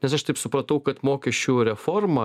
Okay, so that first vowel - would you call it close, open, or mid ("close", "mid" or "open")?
mid